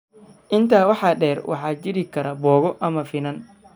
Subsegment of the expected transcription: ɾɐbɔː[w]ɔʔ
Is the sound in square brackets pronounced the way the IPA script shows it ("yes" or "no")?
no